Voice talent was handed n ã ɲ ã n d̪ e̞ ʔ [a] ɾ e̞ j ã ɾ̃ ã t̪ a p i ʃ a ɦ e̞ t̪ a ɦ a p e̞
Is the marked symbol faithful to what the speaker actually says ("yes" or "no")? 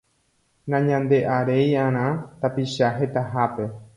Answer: yes